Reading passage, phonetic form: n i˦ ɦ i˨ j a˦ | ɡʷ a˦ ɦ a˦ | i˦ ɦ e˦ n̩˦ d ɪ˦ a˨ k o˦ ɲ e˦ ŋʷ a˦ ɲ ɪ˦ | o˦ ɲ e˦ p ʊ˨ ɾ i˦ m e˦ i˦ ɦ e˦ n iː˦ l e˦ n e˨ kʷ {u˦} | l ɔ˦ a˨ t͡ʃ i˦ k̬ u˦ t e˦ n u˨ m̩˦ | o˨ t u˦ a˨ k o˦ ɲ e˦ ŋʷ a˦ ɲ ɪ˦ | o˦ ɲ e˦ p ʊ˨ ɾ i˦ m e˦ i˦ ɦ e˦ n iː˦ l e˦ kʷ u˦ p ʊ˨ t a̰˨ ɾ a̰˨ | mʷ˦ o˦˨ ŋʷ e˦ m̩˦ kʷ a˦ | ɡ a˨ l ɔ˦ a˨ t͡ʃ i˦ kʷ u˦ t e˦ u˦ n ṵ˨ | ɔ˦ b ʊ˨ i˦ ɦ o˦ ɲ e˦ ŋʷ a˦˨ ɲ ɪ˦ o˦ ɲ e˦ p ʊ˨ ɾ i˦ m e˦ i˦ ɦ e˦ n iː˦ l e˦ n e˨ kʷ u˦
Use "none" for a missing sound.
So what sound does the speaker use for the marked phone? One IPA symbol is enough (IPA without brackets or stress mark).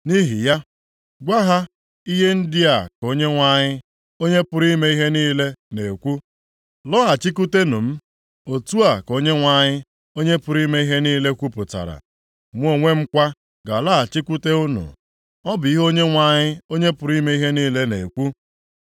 u˦